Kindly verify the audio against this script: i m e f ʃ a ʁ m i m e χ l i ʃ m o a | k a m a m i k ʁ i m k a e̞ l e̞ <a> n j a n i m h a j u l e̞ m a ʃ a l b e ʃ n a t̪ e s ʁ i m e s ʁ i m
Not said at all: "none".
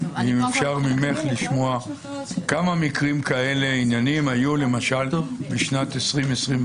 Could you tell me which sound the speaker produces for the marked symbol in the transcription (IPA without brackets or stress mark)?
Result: i